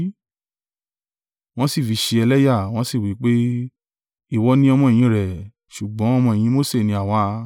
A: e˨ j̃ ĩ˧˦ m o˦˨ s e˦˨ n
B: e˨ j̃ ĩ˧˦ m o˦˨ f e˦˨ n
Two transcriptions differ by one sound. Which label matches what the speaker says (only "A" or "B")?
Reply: A